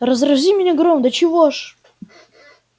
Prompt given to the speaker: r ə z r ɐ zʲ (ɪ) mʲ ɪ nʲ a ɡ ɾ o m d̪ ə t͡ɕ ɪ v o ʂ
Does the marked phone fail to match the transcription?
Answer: yes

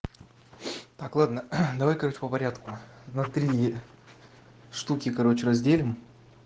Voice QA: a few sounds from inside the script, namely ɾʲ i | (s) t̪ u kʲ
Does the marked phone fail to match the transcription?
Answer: yes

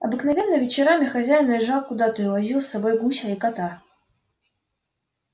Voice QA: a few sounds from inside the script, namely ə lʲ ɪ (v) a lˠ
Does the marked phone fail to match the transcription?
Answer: yes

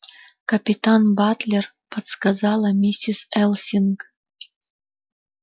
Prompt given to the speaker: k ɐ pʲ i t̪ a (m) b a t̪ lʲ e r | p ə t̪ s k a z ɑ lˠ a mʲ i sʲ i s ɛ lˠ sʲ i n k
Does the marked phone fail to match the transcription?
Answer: yes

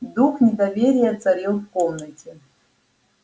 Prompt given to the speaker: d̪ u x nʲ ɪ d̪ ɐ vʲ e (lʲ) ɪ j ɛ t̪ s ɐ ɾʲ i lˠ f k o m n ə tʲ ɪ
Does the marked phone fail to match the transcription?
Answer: yes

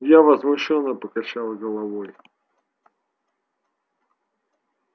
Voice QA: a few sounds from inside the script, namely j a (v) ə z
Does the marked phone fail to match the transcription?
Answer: no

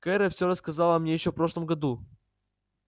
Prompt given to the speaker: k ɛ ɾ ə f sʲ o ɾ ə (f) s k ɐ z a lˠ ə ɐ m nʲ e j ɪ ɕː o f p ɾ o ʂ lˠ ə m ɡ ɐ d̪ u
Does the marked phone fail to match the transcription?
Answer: yes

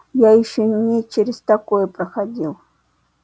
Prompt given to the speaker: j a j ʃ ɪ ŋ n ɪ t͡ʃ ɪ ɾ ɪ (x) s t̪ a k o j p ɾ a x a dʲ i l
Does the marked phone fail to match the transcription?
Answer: yes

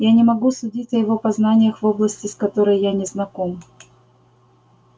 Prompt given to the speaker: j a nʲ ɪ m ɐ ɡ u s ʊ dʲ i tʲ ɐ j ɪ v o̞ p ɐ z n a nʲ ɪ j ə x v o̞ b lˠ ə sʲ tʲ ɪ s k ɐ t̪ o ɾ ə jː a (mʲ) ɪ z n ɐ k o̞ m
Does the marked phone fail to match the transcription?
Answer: yes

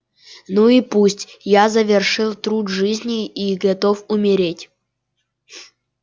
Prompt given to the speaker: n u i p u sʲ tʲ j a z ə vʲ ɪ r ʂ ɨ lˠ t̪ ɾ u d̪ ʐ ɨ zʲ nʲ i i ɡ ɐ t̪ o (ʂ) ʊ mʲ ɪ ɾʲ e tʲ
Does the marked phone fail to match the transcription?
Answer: yes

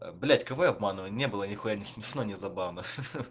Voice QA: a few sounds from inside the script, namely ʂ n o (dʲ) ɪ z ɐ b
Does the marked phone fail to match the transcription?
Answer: yes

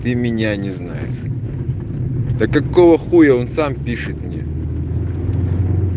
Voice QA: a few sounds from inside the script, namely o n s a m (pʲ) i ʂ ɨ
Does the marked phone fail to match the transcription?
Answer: no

